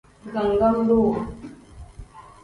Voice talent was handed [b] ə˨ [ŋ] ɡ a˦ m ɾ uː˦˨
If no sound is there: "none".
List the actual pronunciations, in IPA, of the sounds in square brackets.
ɡ, ŋ

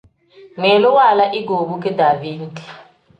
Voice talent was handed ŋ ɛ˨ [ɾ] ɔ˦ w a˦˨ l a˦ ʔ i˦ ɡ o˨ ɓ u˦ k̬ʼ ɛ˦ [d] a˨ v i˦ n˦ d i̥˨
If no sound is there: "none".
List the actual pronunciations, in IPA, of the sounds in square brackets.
l, d

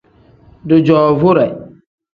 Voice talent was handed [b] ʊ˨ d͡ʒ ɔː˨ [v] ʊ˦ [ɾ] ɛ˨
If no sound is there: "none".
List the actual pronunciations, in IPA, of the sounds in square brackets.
d, v, ɾ

